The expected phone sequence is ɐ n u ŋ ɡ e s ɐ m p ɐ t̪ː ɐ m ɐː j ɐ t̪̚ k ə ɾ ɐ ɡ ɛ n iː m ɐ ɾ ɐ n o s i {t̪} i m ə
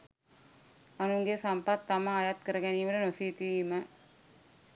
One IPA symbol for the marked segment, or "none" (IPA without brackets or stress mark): t̪